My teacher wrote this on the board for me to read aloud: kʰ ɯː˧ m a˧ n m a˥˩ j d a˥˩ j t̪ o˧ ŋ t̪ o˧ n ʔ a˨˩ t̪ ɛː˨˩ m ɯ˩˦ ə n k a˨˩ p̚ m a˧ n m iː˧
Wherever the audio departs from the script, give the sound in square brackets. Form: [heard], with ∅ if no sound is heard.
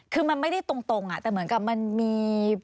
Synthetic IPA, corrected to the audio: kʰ ɯː˧ m a˧ n m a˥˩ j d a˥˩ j t̪ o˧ ŋ t̪ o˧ [ŋ] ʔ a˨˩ t̪ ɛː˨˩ m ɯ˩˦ ə n k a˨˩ p̚ m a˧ n m iː˧